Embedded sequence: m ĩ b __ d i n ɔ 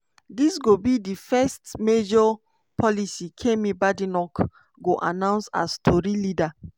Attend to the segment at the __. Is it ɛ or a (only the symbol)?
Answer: a